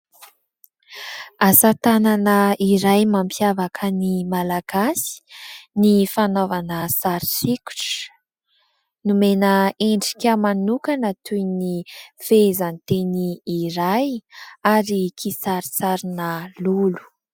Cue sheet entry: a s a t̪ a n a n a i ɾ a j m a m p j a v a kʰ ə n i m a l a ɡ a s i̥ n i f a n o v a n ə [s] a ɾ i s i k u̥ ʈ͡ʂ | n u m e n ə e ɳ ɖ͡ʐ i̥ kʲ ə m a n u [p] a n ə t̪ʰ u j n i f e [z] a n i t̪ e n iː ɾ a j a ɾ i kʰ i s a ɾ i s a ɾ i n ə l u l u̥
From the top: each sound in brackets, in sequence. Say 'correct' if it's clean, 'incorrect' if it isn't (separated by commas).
correct, incorrect, correct